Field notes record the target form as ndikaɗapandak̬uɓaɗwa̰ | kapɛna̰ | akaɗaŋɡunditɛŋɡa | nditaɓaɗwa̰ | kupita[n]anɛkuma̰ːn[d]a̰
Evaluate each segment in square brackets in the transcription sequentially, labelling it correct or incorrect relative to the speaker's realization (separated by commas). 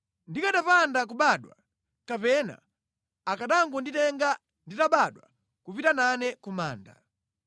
correct, correct